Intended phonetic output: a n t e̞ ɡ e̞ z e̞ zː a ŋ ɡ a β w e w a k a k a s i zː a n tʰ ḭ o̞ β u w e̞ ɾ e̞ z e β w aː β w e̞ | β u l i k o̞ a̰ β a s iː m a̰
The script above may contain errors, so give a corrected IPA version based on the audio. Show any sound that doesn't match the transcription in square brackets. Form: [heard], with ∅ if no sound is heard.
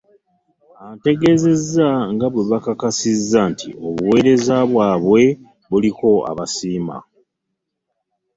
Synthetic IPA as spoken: a n t e̞ ɡ e̞ z e̞ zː a ŋ ɡ a β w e [β] a k a k a s i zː a n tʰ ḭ o̞ β u w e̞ ɾ e̞ z [a] β w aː β w e̞ | β u l i k o̞ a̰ β a s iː m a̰